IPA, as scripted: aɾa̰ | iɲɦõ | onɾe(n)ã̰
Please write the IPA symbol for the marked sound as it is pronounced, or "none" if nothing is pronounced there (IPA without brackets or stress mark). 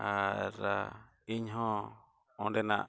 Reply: n